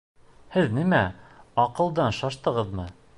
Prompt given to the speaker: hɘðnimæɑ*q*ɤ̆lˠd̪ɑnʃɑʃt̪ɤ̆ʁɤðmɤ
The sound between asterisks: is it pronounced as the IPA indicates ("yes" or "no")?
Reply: yes